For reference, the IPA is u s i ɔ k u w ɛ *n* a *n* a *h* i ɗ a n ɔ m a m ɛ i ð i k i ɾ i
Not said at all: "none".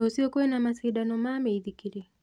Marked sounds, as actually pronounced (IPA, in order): n, m, s

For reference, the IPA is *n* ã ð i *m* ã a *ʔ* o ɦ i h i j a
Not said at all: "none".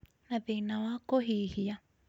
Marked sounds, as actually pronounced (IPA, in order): n, n, k

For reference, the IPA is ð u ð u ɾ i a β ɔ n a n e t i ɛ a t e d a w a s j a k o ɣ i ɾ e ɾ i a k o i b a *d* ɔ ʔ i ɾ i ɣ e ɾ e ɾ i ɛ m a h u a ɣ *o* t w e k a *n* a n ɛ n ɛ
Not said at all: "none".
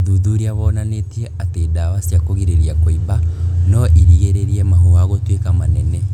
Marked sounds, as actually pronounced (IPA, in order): n, o, m

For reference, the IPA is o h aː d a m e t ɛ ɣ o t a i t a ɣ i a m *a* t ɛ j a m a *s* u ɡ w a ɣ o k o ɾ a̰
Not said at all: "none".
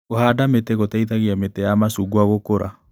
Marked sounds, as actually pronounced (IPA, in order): e, s

